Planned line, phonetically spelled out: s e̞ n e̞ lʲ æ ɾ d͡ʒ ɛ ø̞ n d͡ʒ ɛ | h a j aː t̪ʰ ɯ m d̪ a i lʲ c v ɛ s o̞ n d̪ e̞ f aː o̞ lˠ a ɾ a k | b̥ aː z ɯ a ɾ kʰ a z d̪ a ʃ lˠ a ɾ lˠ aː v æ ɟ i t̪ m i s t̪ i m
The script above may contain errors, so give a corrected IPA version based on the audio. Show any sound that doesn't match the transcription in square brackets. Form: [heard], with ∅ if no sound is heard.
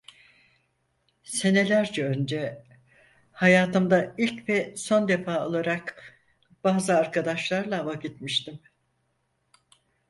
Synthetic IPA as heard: s e̞ n e̞ lʲ æ ɾ d͡ʒ ɛ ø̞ n d͡ʒ ɛ | h a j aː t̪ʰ ɯ m d̪ a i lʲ c v ɛ s o̞ n d̪ e̞ f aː o̞ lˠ a ɾ a k | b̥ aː z ɯ a ɾ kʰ a [∅] d̪ a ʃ lˠ a ɾ lˠ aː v [a] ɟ i t̪ m i [ʃ] t̪ i m